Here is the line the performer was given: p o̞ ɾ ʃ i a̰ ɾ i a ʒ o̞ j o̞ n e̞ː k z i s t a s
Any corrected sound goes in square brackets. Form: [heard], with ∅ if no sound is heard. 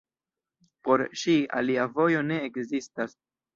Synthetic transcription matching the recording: p o̞ ɾ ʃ i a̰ [l] i a [v] o̞ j o̞ n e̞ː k z i s t a s